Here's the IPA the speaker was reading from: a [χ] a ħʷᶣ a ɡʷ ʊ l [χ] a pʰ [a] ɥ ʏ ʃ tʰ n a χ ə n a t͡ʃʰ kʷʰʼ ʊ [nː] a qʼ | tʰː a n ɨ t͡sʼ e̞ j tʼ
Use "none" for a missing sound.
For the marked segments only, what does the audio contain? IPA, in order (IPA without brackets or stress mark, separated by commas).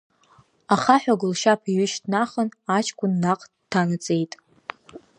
χ, ʃ, i, nː